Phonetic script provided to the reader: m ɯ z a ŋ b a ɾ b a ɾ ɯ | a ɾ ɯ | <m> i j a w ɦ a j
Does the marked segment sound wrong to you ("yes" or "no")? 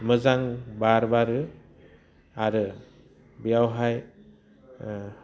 yes